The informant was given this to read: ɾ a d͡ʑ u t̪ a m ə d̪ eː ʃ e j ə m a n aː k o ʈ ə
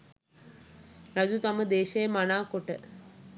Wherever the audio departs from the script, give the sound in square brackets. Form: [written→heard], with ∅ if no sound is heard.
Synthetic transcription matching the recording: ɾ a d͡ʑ u t̪ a m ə d̪ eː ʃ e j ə m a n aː k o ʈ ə